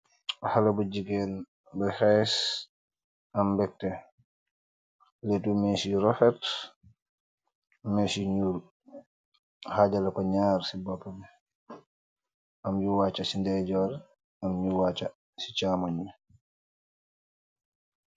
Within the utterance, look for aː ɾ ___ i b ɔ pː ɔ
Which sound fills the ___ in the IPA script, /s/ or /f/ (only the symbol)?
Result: s